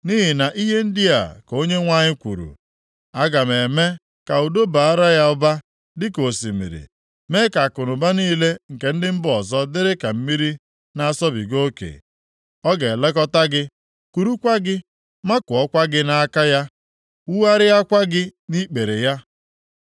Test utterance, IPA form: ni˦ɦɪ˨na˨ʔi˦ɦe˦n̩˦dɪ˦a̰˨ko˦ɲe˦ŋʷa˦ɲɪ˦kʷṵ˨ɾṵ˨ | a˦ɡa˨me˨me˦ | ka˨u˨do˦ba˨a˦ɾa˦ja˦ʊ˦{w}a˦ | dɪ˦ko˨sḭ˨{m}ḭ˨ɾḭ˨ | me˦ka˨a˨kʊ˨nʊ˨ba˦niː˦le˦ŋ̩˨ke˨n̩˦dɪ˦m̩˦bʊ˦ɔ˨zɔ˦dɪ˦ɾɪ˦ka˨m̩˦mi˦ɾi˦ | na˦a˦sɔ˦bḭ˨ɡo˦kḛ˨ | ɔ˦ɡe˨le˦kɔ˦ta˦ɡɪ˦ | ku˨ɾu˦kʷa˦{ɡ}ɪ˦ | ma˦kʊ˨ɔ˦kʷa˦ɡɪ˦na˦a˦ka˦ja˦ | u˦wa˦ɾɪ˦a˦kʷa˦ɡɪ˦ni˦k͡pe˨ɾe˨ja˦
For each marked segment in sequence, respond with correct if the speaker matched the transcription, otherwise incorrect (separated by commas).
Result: incorrect, correct, correct